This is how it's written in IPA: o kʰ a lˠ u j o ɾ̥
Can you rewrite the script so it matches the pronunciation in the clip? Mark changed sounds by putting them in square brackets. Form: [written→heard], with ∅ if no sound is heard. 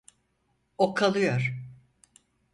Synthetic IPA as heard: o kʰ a lˠ [u→ɯ] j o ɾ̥